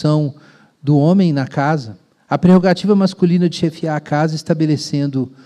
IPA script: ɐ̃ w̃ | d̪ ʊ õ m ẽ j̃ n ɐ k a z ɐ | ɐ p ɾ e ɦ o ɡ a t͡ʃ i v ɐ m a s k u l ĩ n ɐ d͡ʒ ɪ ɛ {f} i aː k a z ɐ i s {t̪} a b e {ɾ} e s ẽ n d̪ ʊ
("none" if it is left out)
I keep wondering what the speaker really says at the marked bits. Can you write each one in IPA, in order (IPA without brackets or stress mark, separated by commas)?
f, t̪, l